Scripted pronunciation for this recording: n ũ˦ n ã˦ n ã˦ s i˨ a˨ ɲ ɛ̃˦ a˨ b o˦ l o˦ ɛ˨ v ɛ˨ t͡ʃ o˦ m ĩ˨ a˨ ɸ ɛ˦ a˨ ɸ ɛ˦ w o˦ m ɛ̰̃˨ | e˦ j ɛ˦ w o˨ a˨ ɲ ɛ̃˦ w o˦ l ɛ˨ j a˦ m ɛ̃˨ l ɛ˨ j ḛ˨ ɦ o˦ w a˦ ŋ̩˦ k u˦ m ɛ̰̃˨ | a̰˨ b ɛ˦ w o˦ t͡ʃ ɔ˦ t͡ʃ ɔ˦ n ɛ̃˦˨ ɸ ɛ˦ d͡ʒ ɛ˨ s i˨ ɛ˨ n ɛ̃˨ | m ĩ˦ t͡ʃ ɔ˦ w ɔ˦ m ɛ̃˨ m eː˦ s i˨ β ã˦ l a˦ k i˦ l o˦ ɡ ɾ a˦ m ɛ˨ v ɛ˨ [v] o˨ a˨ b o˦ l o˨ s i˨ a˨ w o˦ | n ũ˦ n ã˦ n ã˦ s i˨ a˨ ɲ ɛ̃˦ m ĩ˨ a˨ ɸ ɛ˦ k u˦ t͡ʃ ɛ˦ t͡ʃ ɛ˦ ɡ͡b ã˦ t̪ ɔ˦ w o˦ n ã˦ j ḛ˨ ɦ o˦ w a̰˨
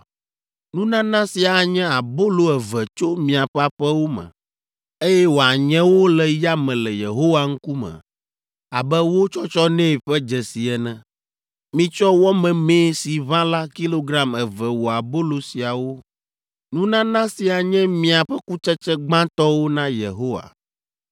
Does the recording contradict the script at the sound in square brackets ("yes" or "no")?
yes